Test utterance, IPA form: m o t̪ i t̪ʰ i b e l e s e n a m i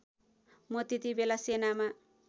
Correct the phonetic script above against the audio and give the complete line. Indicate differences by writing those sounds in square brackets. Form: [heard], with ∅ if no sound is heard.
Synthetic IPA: m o t̪ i [t̪] i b e l [a] s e n a m [a]